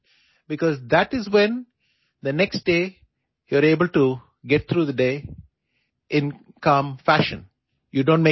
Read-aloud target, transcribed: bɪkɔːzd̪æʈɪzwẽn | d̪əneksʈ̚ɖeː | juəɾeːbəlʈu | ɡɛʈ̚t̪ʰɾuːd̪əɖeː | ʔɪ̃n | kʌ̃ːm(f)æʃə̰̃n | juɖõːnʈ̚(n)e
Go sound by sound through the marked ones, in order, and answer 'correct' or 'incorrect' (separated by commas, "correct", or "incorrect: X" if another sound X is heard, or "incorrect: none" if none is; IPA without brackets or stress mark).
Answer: correct, incorrect: m